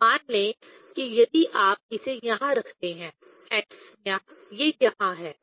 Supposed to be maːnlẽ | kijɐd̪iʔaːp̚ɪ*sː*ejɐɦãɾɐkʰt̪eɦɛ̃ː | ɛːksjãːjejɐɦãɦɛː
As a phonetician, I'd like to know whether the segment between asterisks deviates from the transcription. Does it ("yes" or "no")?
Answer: yes